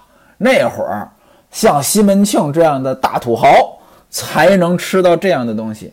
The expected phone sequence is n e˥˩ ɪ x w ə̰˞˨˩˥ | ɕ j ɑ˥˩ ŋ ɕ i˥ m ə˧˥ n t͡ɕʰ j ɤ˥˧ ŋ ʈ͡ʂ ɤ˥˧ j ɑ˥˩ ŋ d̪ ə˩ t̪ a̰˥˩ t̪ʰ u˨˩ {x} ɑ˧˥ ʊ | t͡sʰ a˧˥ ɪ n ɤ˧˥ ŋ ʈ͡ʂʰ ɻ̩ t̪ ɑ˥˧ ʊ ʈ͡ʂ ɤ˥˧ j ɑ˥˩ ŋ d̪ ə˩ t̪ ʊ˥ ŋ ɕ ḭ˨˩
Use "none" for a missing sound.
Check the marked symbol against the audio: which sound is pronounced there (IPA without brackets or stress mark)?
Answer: x